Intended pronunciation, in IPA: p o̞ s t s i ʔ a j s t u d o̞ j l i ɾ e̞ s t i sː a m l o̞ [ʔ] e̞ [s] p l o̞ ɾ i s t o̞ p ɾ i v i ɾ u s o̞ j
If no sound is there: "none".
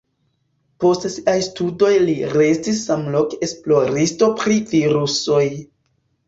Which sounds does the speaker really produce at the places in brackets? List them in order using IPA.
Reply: k, s

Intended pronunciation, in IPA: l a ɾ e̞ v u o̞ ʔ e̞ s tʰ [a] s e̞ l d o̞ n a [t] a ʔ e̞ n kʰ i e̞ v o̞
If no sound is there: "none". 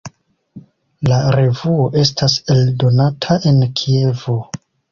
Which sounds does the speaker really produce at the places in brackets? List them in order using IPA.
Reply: a, tʰ

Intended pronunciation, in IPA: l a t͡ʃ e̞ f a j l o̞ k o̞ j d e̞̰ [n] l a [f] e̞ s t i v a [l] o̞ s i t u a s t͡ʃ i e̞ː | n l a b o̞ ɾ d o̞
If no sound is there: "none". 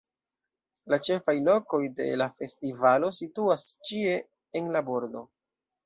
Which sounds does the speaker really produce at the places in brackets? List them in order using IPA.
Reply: none, f, l

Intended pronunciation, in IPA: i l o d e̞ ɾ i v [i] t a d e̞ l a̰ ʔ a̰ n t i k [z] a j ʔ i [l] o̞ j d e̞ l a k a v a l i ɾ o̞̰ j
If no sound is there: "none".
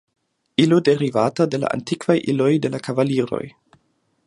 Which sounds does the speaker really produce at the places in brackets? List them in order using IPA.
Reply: a, v, l

